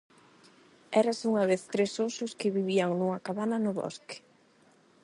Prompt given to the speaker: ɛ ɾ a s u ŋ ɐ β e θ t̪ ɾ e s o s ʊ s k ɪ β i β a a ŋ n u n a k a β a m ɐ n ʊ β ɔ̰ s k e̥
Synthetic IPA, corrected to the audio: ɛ ɾ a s u ŋ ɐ β e θ t̪ ɾ e s o s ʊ s k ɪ β i β i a ŋ n u ŋ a k a β a n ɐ n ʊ β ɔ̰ s k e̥